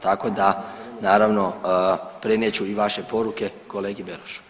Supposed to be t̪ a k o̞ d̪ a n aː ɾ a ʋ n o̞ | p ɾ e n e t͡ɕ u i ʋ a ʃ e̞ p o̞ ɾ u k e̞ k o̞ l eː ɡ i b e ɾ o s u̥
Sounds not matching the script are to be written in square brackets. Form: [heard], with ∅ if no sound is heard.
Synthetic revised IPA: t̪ a k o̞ d̪ a n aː ɾ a ʋ n o̞ | p ɾ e n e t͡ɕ u i ʋ a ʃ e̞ p o̞ ɾ u k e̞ k o̞ l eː ɡ i b e ɾ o [ʃ] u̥

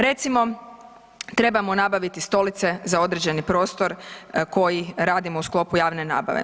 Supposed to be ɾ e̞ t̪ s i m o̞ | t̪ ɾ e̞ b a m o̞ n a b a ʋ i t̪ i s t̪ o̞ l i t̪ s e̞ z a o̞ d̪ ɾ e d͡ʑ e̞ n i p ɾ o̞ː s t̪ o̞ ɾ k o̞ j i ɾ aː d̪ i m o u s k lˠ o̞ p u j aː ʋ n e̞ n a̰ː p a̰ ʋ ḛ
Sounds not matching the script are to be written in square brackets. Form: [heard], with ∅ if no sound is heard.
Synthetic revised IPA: ɾ e̞ t̪ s i m o̞ | t̪ ɾ e̞ b a m o̞ n a b a ʋ i t̪ i s t̪ o̞ l i t̪ s e̞ z a o̞ d̪ ɾ e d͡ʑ e̞ n i p ɾ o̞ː s t̪ o̞ ɾ k o̞ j i ɾ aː d̪ i m o u s k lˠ o̞ p u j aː ʋ n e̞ n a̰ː [b] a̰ ʋ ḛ

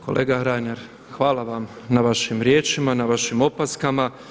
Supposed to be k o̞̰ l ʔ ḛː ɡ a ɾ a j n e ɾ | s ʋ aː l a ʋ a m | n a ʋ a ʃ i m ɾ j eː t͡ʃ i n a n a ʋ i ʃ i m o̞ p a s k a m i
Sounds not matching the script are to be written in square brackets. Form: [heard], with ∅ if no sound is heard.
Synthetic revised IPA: k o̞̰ l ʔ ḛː ɡ a ɾ a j n e ɾ | [x] ʋ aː l a ʋ a m | n a ʋ a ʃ i m ɾ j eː t͡ʃ i [m] a n a ʋ [a] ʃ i m o̞ p a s k a m [a]

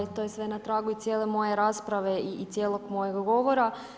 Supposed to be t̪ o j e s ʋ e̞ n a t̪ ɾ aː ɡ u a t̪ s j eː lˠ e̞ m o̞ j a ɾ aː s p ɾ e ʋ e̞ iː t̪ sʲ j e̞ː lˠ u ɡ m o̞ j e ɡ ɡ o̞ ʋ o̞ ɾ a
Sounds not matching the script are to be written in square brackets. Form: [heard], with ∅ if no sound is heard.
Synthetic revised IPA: t̪ o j e s ʋ e̞ n a t̪ ɾ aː ɡ u [i] t̪ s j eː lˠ e̞ m o̞ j [e] ɾ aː s p ɾ [a] ʋ e̞ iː t̪ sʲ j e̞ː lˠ [o] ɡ m o̞ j e ɡ ɡ o̞ ʋ o̞ ɾ a

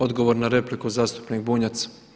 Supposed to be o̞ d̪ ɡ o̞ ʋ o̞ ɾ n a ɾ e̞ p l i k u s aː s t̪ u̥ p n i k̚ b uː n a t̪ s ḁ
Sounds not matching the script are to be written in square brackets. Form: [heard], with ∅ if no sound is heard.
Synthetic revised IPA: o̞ d̪ ɡ o̞ ʋ o̞ ɾ n a ɾ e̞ p l i k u [z] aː s t̪ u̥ p n i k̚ b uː [ɲ] a t̪ s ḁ

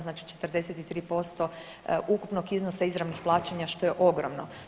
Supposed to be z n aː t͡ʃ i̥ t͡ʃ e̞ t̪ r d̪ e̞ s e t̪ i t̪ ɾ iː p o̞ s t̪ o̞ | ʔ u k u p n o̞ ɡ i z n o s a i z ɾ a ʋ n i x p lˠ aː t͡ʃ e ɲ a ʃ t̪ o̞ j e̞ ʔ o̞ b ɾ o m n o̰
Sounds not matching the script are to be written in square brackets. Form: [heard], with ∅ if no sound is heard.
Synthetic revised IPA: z n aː t͡ʃ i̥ t͡ʃ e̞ t̪ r d̪ e̞ s e t̪ i t̪ ɾ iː p o̞ s t̪ o̞ | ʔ u k u p n o̞ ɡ i z n o s a i z ɾ a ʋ n i x p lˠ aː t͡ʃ e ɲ a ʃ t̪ o̞ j e̞ ʔ o̞ [ɡ] ɾ o m n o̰

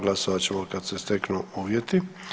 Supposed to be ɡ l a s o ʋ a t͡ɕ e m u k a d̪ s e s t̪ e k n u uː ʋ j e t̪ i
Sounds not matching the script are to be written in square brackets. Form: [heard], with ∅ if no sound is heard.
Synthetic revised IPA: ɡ l a s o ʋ a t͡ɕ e m [o] k a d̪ s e s t̪ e k n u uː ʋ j e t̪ i

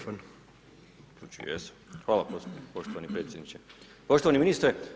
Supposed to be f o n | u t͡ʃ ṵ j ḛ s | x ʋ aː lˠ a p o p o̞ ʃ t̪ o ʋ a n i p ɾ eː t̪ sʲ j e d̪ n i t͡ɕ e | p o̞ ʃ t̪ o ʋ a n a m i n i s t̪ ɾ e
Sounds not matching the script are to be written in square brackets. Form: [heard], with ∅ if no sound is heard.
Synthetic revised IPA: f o n | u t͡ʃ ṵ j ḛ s | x ʋ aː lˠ a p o p o̞ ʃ t̪ o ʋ a n i p ɾ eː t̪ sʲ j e d̪ n i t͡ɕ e | p o̞ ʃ t̪ o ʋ a n [i] m i n i s t̪ ɾ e

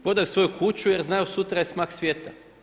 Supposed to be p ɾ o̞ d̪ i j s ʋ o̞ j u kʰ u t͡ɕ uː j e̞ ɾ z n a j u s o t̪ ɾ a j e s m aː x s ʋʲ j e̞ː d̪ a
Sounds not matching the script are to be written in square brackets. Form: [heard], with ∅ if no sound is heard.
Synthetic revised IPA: p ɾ o̞ d̪ [a] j s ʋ o̞ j u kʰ u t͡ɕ [u] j e̞ ɾ z n a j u s [u] t̪ ɾ a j e s m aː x s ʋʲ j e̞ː [t̪] a

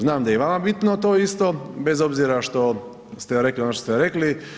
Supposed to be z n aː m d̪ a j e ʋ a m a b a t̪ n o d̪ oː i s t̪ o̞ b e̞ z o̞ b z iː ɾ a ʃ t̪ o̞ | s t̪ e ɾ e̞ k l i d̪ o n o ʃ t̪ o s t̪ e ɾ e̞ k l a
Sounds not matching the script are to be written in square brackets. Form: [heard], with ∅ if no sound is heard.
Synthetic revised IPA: z n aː m d̪ a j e ʋ a m a b [i] t̪ n o [t̪] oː i s t̪ o̞ b e̞ z o̞ b z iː ɾ a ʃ t̪ o̞ | s t̪ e ɾ e̞ k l i [∅] o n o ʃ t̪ o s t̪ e ɾ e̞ k l [i]

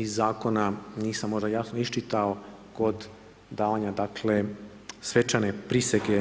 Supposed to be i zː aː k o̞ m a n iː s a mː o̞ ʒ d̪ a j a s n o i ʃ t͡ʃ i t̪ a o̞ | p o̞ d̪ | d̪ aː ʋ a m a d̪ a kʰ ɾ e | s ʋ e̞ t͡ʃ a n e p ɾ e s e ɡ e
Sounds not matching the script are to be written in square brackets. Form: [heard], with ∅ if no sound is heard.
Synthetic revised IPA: i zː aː k o̞ [n] a n iː s a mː o̞ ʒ d̪ a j a s n o i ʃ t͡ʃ i t̪ a o̞ | [k] o̞ d̪ | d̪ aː ʋ a [ɲ] a d̪ a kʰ [l] e | s ʋ e̞ t͡ʃ a n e p ɾ [i] s e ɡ e

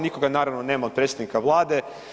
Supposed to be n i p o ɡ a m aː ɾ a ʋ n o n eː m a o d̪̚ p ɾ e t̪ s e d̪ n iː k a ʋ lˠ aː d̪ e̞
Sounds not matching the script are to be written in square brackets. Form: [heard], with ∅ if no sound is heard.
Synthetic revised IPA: n i [k] o ɡ a [n] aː ɾ a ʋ n o n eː m a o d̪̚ p ɾ e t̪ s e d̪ n [i] k a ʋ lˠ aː d̪ e̞

